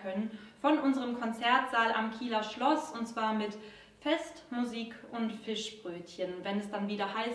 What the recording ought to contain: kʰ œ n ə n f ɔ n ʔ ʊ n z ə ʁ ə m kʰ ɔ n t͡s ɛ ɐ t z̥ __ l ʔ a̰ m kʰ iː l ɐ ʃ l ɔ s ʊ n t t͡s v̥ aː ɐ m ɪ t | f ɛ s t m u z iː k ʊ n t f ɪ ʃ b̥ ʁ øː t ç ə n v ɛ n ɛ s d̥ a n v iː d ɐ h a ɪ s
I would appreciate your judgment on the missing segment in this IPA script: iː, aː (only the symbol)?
aː